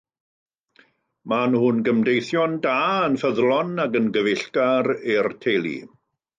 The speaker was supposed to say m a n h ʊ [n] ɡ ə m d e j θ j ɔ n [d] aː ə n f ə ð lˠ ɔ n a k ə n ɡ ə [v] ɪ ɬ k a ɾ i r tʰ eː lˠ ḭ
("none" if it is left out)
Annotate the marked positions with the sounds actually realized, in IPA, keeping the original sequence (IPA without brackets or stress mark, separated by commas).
n, d, v